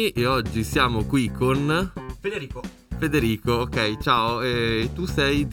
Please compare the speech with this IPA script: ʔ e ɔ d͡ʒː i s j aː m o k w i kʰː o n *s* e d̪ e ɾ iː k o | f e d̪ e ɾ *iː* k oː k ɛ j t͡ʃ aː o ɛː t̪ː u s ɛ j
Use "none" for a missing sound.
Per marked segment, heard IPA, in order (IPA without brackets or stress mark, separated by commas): f, iː